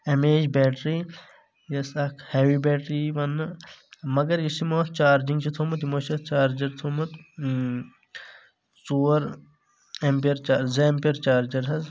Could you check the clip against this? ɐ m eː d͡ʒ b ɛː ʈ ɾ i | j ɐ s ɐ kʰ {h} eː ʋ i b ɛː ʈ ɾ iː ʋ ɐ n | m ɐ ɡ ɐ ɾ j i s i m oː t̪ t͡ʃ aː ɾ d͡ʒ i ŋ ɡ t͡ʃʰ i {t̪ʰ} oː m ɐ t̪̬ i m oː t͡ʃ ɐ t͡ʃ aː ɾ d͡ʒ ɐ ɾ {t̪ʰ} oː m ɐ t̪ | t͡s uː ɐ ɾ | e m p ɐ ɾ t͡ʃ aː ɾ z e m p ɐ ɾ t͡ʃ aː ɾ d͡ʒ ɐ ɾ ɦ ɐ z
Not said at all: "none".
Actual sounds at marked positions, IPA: h, t̪ʰ, t̪ʰ

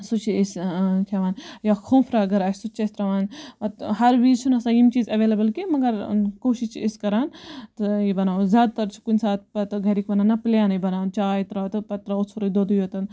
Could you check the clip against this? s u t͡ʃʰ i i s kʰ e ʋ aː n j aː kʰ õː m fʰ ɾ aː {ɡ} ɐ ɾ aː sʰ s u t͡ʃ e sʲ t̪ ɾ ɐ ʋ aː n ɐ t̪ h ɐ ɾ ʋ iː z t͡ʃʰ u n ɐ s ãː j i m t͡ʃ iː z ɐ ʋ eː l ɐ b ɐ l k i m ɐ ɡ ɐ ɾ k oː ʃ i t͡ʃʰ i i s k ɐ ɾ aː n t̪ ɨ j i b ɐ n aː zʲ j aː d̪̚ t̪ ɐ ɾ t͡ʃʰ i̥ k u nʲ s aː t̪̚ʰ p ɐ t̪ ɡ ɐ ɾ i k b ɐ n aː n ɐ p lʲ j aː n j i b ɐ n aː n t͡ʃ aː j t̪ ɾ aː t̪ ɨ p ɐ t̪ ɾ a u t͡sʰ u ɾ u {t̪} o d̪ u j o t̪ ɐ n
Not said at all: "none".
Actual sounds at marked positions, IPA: ɡ, d̪

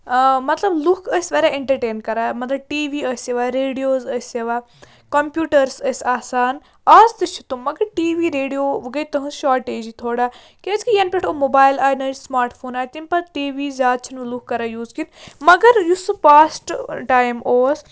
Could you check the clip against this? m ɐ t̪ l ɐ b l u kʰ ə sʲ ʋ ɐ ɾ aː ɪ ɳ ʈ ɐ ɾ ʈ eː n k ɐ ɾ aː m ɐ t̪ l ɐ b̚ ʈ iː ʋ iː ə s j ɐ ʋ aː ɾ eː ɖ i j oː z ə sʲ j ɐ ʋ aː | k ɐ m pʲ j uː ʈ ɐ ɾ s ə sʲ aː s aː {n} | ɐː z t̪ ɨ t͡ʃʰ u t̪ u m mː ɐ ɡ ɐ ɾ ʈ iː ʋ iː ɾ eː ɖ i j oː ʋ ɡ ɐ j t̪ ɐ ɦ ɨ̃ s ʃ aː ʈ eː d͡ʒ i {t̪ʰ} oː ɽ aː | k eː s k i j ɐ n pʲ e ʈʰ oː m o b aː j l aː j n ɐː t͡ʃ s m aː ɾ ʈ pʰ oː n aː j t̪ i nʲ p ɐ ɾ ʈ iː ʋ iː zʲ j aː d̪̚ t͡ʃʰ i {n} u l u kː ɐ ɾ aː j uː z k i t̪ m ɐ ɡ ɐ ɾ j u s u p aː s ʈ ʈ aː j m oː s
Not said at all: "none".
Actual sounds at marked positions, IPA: n, t̪ʰ, n

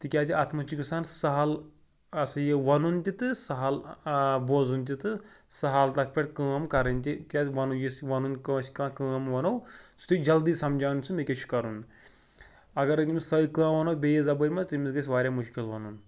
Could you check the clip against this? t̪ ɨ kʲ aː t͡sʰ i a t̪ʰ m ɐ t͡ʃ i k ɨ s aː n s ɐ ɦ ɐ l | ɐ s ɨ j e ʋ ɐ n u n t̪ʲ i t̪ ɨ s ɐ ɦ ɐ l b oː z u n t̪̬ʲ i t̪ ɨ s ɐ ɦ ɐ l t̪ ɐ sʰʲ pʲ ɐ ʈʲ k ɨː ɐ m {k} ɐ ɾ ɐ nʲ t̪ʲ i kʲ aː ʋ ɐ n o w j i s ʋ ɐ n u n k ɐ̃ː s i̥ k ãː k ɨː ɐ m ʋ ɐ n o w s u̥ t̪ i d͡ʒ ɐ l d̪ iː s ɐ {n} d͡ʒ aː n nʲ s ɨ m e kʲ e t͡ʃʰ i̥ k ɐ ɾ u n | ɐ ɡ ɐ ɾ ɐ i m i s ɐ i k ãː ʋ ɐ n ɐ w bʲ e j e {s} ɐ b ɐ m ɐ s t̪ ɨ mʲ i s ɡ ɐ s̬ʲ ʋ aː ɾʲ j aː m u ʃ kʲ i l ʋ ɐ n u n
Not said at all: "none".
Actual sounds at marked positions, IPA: k, m, z

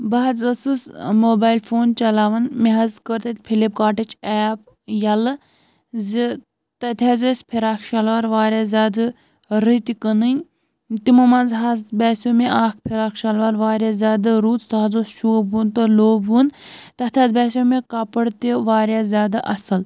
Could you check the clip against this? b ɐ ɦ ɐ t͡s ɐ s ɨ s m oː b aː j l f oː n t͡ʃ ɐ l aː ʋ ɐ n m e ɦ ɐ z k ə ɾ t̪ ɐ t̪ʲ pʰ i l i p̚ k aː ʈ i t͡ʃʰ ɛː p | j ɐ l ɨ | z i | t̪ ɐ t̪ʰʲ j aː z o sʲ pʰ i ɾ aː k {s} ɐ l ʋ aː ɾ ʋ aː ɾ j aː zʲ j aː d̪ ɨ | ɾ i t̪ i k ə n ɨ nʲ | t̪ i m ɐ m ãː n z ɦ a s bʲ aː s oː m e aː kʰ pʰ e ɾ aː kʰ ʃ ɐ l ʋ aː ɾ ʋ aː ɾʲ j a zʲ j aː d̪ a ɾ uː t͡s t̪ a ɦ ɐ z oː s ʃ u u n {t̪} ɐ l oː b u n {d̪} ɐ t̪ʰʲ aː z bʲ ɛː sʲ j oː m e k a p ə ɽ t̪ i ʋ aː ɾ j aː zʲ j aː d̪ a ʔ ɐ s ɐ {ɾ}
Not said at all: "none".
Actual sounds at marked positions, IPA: ʃ, t̪, t̪, l

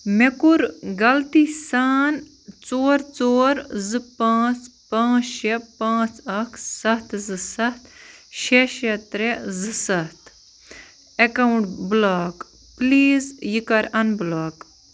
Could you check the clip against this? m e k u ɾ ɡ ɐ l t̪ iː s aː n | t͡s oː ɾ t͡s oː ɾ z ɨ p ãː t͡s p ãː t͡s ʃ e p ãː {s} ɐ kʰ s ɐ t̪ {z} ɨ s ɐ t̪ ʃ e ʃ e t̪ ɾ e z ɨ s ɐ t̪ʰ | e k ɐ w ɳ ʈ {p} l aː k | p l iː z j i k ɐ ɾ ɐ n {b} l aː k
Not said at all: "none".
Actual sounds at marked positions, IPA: t͡s, z, b, b

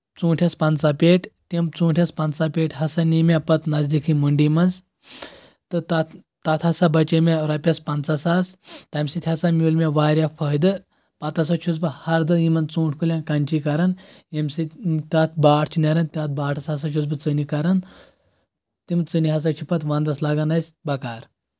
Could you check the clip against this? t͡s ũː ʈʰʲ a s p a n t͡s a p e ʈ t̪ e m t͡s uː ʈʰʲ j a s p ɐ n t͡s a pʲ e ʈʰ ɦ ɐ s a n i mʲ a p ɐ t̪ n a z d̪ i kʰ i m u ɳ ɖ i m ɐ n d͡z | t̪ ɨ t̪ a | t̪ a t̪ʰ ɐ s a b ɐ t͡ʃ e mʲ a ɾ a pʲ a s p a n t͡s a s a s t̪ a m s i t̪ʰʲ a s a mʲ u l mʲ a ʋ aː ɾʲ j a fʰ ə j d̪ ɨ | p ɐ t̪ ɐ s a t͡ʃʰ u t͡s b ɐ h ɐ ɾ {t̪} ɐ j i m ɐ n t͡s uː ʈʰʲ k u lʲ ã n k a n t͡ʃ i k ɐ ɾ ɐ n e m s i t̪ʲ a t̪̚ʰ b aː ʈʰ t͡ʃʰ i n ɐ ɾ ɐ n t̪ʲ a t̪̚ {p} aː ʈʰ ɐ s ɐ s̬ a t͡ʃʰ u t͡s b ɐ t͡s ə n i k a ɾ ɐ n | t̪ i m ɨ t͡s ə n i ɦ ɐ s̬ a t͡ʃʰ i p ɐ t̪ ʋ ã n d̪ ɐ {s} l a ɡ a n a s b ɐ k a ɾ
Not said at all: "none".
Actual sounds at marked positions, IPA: d̪, b, s

